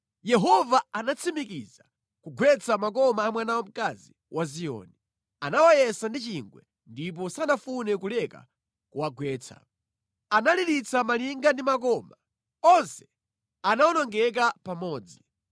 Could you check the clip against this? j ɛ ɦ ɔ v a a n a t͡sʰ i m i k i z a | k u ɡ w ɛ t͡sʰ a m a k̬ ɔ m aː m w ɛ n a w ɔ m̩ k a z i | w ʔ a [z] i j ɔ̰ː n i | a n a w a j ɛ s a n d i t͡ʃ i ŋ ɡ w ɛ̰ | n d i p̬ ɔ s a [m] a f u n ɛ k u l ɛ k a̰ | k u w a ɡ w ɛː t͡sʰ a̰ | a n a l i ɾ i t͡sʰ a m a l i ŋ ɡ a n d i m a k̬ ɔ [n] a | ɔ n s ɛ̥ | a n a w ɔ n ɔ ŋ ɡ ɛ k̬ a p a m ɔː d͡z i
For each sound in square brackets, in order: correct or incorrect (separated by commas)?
correct, incorrect, incorrect